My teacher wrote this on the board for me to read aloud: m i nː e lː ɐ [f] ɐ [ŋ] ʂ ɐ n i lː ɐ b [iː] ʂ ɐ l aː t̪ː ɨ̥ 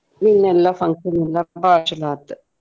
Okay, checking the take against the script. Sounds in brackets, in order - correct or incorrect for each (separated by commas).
correct, correct, incorrect